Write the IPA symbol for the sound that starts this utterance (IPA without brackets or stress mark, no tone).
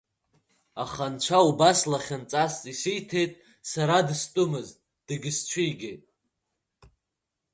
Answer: a